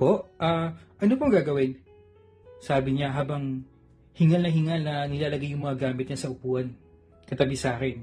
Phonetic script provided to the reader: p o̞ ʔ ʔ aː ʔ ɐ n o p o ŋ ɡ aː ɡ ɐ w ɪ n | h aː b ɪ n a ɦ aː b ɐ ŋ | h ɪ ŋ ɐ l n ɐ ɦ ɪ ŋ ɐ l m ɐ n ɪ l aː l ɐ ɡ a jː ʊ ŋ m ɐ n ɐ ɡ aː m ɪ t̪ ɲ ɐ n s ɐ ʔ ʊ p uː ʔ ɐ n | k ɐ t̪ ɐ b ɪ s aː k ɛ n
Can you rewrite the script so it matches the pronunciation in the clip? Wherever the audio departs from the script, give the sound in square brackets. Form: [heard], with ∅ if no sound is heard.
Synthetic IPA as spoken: p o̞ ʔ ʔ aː ʔ ɐ n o p o ŋ ɡ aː ɡ ɐ w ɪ n | [s] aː b ɪ [ɲ] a ɦ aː b ɐ ŋ | h ɪ ŋ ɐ l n ɐ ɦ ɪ ŋ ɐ l [n] ɐ n ɪ l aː l ɐ ɡ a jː ʊ ŋ m ɐ [ŋ] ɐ ɡ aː m ɪ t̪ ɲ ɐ n s ɐ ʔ ʊ p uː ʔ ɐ n | k ɐ t̪ ɐ b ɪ s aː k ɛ n